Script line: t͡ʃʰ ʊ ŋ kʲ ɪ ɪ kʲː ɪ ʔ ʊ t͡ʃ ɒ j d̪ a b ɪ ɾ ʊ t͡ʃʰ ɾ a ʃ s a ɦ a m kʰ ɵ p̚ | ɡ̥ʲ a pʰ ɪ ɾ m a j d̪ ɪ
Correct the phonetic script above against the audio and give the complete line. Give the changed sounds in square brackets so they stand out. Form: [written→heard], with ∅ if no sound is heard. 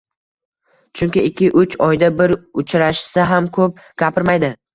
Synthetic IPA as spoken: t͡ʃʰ ʊ ŋ kʲ ɪ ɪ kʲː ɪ ʔ ʊ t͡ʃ ɒ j d̪ a b ɪ ɾ ʊ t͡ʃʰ ɾ a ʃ s a ɦ a m kʰ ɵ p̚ | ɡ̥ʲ a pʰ ɪ ɾ m a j d̪ ɪ